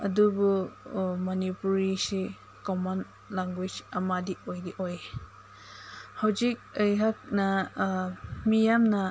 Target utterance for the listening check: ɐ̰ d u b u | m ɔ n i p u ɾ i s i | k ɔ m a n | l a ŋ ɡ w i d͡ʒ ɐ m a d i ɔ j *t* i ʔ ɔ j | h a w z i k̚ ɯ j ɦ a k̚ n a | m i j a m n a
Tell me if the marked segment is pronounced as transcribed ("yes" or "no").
no